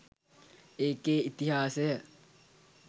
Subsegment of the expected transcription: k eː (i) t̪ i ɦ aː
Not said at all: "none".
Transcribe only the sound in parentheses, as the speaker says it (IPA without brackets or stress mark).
i